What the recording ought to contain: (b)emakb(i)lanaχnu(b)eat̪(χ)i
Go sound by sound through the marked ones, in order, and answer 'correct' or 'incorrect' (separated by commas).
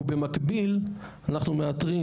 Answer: correct, correct, incorrect, incorrect